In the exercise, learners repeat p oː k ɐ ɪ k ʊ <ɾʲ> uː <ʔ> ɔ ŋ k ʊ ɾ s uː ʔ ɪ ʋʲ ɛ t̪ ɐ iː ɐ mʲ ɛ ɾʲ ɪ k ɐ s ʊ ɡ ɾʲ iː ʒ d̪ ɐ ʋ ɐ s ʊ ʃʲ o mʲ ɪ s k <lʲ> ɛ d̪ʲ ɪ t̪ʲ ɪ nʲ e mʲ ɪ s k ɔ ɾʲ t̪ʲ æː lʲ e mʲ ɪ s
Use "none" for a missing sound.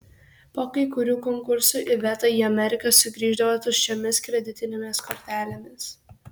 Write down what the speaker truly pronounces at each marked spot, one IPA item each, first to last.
ɾʲ, k, ɾʲ

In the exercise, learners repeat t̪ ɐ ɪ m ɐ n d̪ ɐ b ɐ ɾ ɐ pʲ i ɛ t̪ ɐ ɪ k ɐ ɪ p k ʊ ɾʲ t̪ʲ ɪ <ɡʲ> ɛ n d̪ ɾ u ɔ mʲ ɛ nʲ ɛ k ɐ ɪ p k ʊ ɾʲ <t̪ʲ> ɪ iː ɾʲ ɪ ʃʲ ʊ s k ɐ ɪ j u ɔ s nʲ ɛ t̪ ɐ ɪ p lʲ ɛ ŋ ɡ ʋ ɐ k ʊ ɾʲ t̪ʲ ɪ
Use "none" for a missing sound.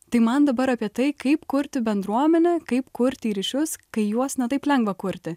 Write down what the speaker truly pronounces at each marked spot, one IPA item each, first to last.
bʲ, t̪ʲ

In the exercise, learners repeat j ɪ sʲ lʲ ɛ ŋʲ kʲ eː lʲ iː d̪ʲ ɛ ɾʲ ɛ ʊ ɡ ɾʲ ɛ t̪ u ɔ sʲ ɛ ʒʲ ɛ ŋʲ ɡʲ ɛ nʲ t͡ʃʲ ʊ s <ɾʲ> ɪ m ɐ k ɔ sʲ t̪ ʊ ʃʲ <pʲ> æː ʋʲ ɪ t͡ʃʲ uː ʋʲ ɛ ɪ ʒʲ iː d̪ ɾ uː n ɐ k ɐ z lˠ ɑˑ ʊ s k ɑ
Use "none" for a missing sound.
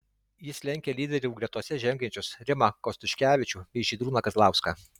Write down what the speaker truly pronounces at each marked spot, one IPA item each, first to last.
ɾʲ, kʲ

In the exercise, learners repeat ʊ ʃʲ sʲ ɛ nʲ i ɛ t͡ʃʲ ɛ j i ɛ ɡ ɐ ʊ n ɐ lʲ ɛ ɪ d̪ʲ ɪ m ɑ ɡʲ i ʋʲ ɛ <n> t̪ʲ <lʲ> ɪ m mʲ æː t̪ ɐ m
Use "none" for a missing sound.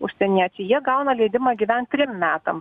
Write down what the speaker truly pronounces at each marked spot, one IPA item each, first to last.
n, ɾʲ

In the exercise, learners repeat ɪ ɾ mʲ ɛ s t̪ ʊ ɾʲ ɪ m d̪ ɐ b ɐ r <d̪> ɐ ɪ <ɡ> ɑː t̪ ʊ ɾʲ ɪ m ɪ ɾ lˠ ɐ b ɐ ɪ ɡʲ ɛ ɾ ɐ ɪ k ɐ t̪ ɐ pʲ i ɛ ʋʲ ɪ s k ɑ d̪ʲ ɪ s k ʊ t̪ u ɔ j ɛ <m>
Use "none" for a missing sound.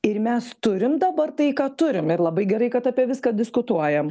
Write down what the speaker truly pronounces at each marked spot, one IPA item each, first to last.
t̪, k, m

